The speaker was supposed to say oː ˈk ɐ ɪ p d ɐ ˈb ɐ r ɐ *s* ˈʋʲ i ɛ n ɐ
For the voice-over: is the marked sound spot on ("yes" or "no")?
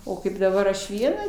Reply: no